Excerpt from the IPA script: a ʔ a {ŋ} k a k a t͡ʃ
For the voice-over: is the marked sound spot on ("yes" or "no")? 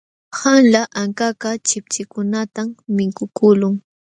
yes